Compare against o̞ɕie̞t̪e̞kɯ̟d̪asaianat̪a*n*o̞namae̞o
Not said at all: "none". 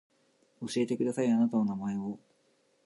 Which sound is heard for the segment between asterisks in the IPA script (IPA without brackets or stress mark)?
n